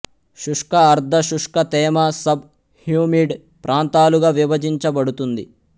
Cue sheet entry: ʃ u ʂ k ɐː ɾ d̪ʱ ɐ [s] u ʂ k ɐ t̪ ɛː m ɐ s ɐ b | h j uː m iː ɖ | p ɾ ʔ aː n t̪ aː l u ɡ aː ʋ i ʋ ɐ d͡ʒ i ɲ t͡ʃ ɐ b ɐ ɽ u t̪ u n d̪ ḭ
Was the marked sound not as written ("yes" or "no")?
yes